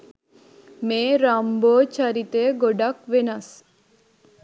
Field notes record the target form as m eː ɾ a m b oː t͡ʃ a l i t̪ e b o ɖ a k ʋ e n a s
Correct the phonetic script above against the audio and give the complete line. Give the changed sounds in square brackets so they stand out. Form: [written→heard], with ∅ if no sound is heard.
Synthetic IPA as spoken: m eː ɾ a m b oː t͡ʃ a [l→ɾ] i t̪ e [b→ɡ] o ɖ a k ʋ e n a s